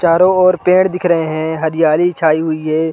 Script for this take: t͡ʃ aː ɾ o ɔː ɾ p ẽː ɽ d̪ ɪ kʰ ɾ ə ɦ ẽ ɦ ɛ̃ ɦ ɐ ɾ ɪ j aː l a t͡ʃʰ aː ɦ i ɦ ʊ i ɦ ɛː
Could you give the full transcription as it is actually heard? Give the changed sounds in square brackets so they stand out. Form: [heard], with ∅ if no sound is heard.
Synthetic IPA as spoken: t͡ʃ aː ɾ o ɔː ɾ p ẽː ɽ d̪ ɪ kʰ ɾ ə ɦ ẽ ɦ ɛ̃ ɦ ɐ ɾ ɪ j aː l [i] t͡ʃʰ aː [∅] i ɦ ʊ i ɦ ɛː